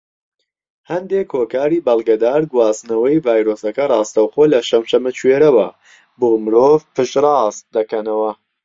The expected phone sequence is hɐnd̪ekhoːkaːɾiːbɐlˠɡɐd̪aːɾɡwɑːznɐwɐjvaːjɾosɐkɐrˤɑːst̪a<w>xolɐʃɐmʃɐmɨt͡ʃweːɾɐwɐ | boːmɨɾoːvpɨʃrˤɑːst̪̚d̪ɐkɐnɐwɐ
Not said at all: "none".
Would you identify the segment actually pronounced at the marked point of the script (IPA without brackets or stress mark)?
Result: w